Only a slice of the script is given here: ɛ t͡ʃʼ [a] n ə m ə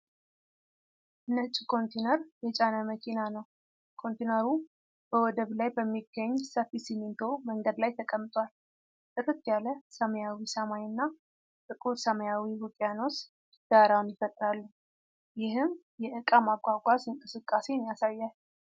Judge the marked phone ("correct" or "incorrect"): correct